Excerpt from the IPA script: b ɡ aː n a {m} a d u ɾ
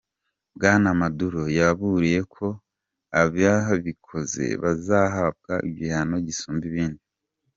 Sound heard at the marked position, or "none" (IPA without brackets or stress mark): m